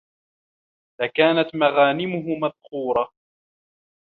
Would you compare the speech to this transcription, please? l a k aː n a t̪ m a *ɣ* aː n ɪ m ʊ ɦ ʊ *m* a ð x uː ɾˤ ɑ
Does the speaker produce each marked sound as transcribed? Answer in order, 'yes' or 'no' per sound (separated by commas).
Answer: yes, yes